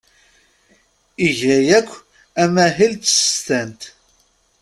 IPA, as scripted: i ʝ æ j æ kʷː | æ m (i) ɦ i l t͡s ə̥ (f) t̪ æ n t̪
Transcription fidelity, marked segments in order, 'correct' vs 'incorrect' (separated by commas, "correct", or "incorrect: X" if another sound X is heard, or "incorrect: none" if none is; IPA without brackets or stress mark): incorrect: æ, incorrect: s